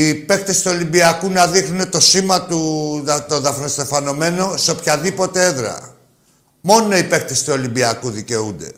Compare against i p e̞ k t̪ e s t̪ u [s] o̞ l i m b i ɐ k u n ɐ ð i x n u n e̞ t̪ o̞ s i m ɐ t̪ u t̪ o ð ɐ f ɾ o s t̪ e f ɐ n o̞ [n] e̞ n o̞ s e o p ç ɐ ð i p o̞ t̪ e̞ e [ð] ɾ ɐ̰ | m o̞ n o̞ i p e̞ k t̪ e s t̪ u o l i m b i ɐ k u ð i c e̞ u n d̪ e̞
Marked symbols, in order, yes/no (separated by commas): no, no, yes